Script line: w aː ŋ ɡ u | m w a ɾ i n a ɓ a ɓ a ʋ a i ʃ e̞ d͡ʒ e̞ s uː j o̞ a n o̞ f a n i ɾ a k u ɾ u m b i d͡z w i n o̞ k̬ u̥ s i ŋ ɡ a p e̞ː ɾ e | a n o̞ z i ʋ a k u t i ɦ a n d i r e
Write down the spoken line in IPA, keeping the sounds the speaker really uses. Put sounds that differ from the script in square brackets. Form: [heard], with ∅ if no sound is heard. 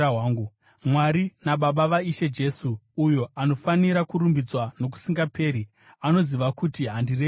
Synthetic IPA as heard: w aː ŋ ɡ u | m w a ɾ i n a ɓ a ɓ a ʋ a i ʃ e̞ d͡ʒ e̞ s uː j o̞ a n o̞ f a n i ɾ a k u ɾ u m b i d͡z w [a] n o̞ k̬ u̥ s i ŋ ɡ a p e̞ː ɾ [i] | a n o̞ z i ʋ a k u t i ɦ a n d i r e

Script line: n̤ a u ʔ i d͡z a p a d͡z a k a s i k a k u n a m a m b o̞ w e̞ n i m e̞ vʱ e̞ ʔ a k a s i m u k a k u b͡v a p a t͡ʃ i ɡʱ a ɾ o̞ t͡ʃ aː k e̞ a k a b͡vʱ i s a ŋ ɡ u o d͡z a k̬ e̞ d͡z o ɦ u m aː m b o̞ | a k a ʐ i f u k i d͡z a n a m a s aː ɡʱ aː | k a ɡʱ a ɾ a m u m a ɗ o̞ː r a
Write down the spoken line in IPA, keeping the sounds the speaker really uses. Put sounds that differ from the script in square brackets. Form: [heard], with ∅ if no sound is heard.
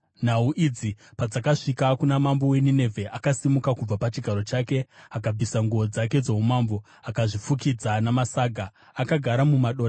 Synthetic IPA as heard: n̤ a u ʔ i d͡z [i] p a d͡z a k a [ʂ] i k a k u n a m a m b o̞ w e̞ n i [n] e̞ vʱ e̞ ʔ a k a s i m u k a k u b͡v a p a t͡ʃ i ɡʱ a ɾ o̞ t͡ʃ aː k e̞ a k a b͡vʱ i s a ŋ ɡ u o d͡z a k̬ e̞ d͡z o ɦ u m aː m b o̞ | a k a ʐ i f u k i d͡z a n a m a s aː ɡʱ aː | k a ɡʱ a ɾ a m u m a ɗ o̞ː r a

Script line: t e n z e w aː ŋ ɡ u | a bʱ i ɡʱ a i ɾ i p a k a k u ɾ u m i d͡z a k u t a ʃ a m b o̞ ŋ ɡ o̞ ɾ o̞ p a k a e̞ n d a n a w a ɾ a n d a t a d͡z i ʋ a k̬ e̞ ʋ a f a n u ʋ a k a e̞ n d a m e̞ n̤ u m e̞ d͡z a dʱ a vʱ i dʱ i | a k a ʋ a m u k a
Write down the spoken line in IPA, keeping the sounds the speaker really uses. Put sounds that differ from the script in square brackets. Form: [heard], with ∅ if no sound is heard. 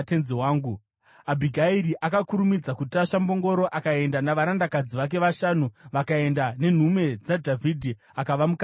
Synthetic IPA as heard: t e n z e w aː ŋ ɡ u | a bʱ i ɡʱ a i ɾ i [ʔ] a k a k u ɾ u m i d͡z a k u t a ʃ a m b o̞ ŋ ɡ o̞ ɾ o̞ [ʔ] a k a e̞ n d a n a [ʋ] a ɾ a n d a [k] a d͡z i ʋ a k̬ e̞ ʋ a [ʃ] a n u ʋ a k a e̞ n d a [n] e̞ n̤ u m e̞ d͡z a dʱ a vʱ i dʱ i | a k a ʋ a m u k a

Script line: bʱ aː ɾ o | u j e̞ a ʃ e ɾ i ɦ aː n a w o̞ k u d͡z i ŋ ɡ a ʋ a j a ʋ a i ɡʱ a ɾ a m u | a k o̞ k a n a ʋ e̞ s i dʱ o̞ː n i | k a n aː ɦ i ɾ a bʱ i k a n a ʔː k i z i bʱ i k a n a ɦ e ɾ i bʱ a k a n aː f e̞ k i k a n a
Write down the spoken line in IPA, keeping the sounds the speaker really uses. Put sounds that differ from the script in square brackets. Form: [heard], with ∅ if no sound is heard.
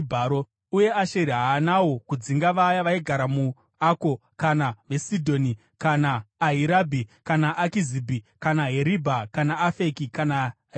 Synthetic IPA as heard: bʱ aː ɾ o | u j e̞ a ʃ e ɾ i ɦ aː n a w o̞ k u d͡z i ŋ ɡ a ʋ a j a ʋ a i ɡʱ a ɾ a m u | a k o̞ k a n a ʋ e̞ s i dʱ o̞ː n i | k a n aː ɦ i ɾ a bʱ i k a n a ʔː k i z i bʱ i k a n a ɦ e ɾ i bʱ a k a n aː f e̞ k i k a n a

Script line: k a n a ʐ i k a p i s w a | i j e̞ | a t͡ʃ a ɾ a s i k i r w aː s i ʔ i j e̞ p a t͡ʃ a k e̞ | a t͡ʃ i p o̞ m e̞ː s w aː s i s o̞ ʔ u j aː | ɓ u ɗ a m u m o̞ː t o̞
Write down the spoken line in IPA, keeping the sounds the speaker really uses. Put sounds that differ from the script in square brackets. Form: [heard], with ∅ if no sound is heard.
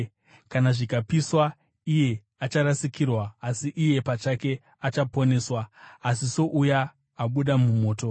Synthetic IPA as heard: k a n a ʐ i k a p i s w a | i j e̞ | a t͡ʃ a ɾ a s i k i r w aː s i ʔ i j e̞ p a t͡ʃ a k e̞ | a t͡ʃ [a] p o̞ [n] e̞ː s w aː s i s o̞ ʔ u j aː | ɓ u ɗ a m u m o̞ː t o̞

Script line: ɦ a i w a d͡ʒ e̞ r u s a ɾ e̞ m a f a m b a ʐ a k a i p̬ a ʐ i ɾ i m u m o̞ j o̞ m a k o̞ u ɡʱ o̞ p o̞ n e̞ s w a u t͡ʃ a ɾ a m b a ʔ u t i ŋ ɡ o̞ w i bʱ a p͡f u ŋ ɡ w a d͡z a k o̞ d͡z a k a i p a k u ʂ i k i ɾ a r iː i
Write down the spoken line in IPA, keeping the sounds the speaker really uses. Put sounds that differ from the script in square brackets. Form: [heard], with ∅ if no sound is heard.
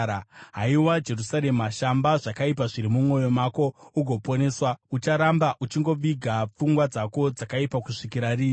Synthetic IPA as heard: ɦ a i w a d͡ʒ e̞ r u s a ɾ e̞ m a [ʃ] a m b a ʐ a k a i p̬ a ʐ i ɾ i m u m o̞ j o̞ m a k o̞ u ɡʱ o̞ p o̞ n e̞ s w a u t͡ʃ a ɾ a m b a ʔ u [t͡ʃ] i ŋ ɡ o̞ [ʋ] i [ɡʱ] a p͡f u ŋ ɡ w a d͡z a k o̞ d͡z a k a i p a k u ʂ i k i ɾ a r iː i

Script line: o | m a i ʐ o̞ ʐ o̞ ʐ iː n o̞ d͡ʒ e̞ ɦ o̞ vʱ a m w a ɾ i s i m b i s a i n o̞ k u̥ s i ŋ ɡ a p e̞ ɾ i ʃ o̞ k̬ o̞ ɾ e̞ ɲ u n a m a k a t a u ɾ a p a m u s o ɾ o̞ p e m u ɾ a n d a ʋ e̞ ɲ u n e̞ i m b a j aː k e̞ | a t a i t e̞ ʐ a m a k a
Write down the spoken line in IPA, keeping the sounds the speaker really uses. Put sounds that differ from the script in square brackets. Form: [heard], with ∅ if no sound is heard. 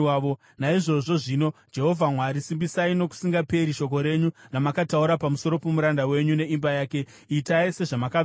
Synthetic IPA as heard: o | [n] a i ʐ o̞ ʐ o̞ ʐ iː n o̞ d͡ʒ e̞ ɦ o̞ vʱ a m w a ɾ i s i m b i s a i n o̞ k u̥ s i ŋ ɡ a p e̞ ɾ i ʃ o̞ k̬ o̞ ɾ e̞ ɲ u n a m a k a t a u ɾ a p a m u s o ɾ o̞ p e m u ɾ a n d a [w] e̞ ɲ u n e̞ i m b a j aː k e̞ | [i] t a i [s] e̞ ʐ a m a k a

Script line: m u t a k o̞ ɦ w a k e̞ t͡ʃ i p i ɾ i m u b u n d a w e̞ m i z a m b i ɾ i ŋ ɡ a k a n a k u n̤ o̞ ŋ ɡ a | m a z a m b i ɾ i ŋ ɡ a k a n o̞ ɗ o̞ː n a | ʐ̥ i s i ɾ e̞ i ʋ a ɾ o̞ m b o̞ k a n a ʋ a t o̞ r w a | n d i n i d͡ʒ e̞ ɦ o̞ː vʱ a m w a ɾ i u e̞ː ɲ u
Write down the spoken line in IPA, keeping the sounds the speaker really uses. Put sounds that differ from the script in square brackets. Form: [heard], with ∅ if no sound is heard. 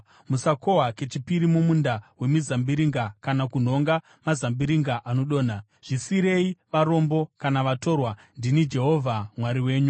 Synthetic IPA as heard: m u [s] a k o̞ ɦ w a k e̞ t͡ʃ i p i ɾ i m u [m] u n d a w e̞ m i z a m b i ɾ i ŋ ɡ a k a n a k u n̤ o̞ ŋ ɡ a | m a z a m b i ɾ i ŋ ɡ a [ʔ] a n o̞ ɗ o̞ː n a | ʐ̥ i s i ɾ e̞ i ʋ a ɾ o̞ m b o̞ k a n a ʋ a t o̞ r w a | n d i n i d͡ʒ e̞ ɦ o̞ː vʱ a m w a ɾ i [w] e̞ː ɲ u

